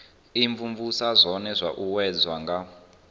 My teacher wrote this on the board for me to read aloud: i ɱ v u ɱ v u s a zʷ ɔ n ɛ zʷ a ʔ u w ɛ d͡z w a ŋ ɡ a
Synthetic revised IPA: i ɱ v u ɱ v u s a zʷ ɔ n ɛ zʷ a ʔ u w ɛ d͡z w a ŋ ɡ a